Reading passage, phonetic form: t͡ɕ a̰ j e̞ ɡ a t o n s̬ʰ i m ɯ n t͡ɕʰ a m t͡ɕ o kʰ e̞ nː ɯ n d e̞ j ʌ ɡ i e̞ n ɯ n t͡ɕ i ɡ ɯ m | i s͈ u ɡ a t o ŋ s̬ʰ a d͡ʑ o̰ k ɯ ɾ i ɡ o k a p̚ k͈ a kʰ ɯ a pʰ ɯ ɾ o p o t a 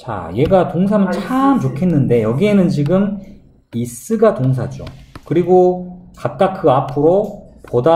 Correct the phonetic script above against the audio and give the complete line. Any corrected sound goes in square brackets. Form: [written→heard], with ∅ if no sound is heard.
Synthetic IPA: t͡ɕ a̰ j e̞ ɡ a t o [n→ŋ] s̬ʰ [i→a] m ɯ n t͡ɕʰ a m t͡ɕ o kʰ e̞ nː ɯ n d e̞ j ʌ ɡ i e̞ n ɯ n t͡ɕ i ɡ ɯ m | i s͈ [u→ɯ] ɡ a t o ŋ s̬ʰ a d͡ʑ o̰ k ɯ ɾ i ɡ o k a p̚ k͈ a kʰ ɯ a pʰ ɯ ɾ o p o [t→d] a